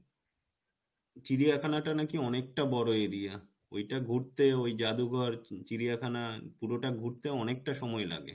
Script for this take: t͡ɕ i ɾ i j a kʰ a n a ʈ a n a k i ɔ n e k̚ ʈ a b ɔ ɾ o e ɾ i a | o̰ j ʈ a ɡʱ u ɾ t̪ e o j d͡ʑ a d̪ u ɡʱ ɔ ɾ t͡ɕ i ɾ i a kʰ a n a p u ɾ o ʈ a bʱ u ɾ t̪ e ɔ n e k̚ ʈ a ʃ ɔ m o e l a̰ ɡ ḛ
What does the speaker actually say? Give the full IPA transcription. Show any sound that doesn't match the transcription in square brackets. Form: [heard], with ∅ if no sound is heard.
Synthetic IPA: t͡ɕ i ɾ i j a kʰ a n a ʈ a n a k i ɔ n e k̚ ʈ a b ɔ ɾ o e ɾ i a | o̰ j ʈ a ɡʱ u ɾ t̪ e o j d͡ʑ a d̪ u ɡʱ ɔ ɾ t͡ɕ i ɾ i a kʰ a n a p u ɾ o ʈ a [ɡʱ] u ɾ t̪ e ɔ n e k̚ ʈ a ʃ ɔ m [ɔ] e l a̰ ɡ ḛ